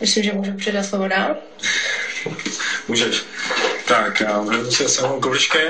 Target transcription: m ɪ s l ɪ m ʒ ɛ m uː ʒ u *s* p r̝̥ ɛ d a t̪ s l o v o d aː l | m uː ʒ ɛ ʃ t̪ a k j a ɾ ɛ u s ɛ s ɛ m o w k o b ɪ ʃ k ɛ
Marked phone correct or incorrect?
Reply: incorrect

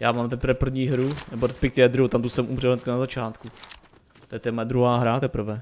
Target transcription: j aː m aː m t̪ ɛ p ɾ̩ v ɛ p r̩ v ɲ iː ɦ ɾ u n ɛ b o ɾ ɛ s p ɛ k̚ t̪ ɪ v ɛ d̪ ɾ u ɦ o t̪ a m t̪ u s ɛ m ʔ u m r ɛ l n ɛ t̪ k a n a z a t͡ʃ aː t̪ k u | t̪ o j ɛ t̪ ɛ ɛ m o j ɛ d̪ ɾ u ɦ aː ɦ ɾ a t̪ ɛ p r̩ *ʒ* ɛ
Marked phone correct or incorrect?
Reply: incorrect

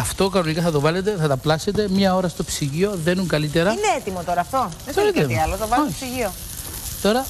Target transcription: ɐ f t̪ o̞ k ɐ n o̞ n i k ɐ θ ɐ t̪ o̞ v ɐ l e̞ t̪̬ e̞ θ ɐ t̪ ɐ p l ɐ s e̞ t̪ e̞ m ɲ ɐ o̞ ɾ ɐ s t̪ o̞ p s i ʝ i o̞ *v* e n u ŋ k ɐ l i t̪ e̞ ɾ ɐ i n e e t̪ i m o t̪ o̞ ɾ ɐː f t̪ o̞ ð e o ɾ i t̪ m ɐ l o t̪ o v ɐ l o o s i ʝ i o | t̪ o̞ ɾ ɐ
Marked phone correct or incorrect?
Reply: incorrect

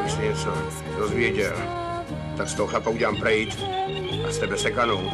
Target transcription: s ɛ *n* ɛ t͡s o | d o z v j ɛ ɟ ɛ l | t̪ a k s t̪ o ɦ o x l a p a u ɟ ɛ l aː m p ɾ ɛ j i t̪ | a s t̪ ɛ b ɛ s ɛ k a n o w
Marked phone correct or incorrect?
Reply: incorrect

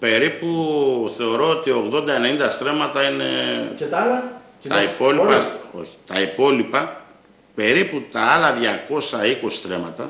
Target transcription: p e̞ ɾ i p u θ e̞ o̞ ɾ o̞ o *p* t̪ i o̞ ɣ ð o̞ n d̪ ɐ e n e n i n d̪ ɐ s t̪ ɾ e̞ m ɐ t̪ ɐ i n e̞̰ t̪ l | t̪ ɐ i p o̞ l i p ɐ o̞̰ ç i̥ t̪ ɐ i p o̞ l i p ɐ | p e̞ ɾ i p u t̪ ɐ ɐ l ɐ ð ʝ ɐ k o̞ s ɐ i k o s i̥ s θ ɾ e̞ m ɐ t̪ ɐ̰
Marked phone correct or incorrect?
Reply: incorrect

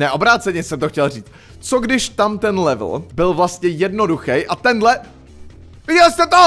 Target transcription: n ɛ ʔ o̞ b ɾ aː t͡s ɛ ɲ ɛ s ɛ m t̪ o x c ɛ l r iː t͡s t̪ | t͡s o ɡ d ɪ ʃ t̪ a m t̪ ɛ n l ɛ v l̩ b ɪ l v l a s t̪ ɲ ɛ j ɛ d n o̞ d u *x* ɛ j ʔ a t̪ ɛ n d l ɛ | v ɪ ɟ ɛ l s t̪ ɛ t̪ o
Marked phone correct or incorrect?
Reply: correct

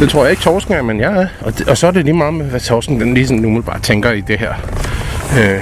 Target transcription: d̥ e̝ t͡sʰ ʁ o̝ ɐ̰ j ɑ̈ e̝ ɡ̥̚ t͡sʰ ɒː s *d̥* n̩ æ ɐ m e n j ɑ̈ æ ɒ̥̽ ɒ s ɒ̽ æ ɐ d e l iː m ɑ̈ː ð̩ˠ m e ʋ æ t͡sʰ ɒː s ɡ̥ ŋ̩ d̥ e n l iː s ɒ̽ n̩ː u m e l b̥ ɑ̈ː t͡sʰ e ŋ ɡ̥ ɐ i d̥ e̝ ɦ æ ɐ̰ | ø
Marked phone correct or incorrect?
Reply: incorrect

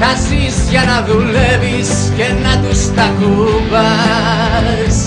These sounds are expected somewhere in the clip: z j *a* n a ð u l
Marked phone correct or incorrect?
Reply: correct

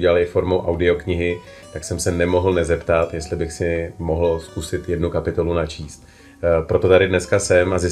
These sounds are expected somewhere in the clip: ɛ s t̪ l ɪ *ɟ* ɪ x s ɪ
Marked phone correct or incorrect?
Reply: incorrect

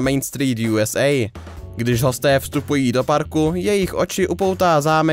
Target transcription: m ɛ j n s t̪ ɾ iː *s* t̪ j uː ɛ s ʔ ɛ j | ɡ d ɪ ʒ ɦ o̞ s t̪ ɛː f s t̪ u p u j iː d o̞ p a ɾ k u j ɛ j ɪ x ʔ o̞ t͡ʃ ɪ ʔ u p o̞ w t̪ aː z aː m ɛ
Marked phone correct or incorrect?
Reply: incorrect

